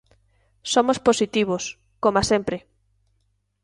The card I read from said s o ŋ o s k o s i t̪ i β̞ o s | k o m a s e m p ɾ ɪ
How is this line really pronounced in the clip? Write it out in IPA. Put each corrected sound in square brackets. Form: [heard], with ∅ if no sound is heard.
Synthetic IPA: s o [m] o s [p] o s i t̪ i β̞ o s | k o m a s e m p ɾ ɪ

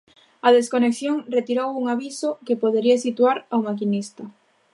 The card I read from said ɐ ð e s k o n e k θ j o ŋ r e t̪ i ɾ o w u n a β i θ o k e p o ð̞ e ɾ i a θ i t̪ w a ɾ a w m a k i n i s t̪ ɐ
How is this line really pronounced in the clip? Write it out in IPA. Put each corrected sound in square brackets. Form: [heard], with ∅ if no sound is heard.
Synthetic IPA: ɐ ð e s k o n e k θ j o ŋ r e t̪ i ɾ o w u [ŋ] a β i [s] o k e p o ð̞ e ɾ i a [s] i t̪ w a ɾ a w m a k i n i s t̪ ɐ

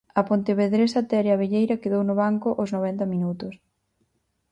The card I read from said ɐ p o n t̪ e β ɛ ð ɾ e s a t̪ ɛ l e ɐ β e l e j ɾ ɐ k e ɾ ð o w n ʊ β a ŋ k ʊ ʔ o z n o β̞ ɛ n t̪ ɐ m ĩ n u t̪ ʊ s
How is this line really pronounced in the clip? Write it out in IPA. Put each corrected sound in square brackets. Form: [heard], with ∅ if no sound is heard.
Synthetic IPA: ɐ p o n t̪ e β [e] ð ɾ e s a t̪ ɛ [ɾ] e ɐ β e [ʎ] e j ɾ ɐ k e [∅] ð o w n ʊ β a ŋ k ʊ ʔ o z n o β̞ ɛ n t̪ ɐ m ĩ n u t̪ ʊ s

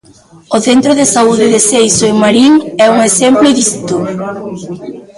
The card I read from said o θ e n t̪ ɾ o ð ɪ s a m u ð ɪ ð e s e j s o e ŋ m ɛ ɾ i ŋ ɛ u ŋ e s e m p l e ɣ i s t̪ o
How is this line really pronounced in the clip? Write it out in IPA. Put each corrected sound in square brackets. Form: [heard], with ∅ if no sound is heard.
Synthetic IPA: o θ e n t̪ ɾ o ð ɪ s a [∅] u ð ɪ ð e s e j s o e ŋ m [a] ɾ i ŋ ɛ u ŋ e s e m p l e [ð] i s t̪ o

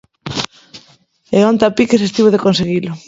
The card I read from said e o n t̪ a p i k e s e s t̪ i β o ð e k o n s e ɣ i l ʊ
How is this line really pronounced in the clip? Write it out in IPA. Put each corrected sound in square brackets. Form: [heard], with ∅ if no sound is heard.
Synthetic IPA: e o n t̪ a p i k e s e s t̪ i β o ð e k o n s e ɣ i l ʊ

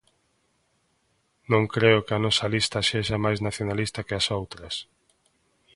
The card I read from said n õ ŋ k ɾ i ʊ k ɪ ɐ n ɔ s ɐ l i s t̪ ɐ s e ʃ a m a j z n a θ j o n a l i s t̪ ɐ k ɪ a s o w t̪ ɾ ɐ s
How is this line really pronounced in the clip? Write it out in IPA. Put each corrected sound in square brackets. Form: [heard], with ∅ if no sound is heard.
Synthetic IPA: n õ ŋ k ɾ [e] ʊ k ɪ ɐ n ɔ s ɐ l i s t̪ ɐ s e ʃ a m a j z n a θ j o n a l i s t̪ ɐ k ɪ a s o w t̪ ɾ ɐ s

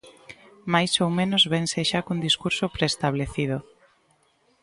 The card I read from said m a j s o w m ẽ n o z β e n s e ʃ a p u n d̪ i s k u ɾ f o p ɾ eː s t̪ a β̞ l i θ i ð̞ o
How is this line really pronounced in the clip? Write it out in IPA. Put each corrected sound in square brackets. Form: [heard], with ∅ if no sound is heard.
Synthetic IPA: m a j s o w m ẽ n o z β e n s e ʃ a [k] u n d̪ i s k u ɾ [s] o p ɾ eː s t̪ a β̞ l [e] θ i ð̞ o

